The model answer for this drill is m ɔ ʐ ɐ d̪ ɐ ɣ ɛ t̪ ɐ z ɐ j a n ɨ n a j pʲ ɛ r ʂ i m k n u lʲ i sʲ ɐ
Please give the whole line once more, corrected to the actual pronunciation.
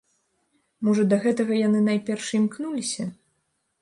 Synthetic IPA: m ɔ ʐ ɐ d̪ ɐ ɣ ɛ t̪ ɐ ɣ ɐ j a n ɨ n a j pʲ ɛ r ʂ i m k n u lʲ i sʲ ɐ